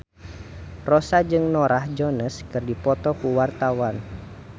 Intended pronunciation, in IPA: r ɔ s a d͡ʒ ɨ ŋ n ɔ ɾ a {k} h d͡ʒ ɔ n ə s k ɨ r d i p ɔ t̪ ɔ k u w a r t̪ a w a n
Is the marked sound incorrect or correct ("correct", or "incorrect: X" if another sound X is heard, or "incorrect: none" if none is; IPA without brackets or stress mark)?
incorrect: none